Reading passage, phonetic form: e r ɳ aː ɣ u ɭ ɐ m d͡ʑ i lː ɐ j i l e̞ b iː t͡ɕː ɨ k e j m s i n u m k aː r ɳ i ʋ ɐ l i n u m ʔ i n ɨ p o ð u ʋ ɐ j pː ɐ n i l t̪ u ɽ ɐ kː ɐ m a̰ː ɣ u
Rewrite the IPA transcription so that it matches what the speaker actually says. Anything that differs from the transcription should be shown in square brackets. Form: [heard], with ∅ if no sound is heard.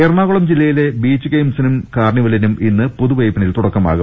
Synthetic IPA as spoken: e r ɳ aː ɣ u ɭ ɐ m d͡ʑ i lː ɐ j i l e̞ b iː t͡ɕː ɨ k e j m s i n u m k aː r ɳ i ʋ ɐ l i n u m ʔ i [nː] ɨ p o ð u ʋ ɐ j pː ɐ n i l t̪ u ɽ ɐ kː ɐ m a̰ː ɣ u